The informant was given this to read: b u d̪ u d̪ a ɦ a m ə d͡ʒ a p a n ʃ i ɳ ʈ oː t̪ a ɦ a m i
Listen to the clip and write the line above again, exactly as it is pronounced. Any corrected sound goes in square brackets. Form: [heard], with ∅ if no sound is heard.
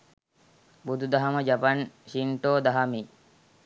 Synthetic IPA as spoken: b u d̪ u d̪ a ɦ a m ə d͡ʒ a p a n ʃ i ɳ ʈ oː [d̪] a ɦ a m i